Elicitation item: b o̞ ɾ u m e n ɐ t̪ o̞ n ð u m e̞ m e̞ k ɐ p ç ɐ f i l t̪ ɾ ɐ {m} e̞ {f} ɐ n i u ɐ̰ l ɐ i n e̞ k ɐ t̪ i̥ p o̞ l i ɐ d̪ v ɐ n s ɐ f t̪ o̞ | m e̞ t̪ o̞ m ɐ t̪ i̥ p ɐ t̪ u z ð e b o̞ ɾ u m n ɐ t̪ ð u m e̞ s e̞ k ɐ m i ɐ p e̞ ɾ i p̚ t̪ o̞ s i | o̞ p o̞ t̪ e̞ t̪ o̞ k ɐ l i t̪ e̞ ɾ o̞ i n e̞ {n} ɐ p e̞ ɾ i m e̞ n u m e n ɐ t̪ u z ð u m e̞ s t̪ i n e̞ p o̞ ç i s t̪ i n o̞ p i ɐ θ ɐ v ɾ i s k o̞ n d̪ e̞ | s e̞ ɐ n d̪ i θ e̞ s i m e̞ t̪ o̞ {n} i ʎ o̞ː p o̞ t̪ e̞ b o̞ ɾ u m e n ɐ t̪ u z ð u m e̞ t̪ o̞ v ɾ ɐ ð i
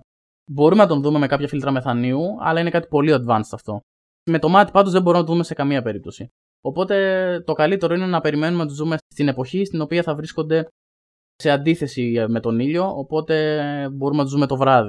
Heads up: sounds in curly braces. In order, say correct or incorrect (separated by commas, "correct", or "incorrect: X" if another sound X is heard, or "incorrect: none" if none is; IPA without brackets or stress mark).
correct, incorrect: θ, correct, correct